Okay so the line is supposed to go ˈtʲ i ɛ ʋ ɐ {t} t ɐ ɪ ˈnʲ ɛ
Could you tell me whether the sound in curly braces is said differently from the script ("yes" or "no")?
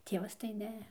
yes